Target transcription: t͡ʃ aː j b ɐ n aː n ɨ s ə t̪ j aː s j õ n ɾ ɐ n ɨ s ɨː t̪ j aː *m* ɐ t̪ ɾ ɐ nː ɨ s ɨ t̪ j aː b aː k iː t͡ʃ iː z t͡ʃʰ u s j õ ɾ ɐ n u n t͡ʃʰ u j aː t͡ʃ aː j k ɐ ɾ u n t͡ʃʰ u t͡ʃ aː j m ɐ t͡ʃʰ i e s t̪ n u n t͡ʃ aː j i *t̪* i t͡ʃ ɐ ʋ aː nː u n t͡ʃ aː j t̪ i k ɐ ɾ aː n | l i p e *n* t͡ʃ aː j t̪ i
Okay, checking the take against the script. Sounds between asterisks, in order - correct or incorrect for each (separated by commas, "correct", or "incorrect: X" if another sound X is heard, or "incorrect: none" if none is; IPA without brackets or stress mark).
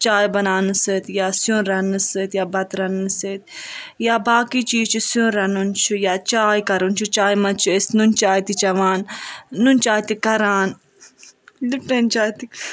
incorrect: b, correct, correct